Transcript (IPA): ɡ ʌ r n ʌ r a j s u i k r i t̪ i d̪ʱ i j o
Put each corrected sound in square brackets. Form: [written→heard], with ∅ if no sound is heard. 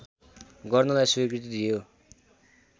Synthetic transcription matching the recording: ɡ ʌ r n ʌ [r→l] a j s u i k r i t̪ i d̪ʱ i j o

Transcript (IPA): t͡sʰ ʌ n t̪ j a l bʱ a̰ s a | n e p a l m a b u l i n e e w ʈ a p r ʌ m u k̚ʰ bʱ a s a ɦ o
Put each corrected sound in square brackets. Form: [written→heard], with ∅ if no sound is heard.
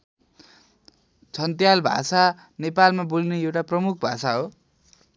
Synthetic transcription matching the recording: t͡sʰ ʌ n t̪ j a l bʱ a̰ s a | n e p a l m a b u l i n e e w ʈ a p r ʌ m u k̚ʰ bʱ a s a ɦ o

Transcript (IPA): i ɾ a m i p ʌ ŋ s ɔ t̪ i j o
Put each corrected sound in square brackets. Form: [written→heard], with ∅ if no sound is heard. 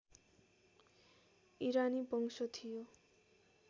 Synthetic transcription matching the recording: i ɾ a [m→n] i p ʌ ŋ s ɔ [t̪→t̪ʰ] i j o

